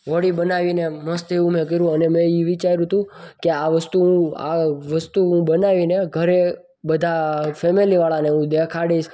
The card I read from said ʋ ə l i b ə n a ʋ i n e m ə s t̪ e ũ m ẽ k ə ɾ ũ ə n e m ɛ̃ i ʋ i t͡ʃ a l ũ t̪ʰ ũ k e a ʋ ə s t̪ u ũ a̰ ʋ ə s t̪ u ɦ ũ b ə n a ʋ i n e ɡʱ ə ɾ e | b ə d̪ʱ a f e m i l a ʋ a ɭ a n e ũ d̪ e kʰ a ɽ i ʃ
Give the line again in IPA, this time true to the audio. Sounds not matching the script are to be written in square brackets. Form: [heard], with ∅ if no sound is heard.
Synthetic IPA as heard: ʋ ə [ɽ] i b ə n a ʋ i n e m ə s t̪ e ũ m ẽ k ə ɾ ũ ə n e m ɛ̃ i ʋ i t͡ʃ a [ɾ] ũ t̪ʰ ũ k e a ʋ ə s t̪ u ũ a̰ ʋ ə s t̪ u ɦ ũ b ə n a ʋ i n e ɡʱ ə ɾ e | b ə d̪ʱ a f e m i l [i] ʋ a ɭ a n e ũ d̪ e kʰ a ɽ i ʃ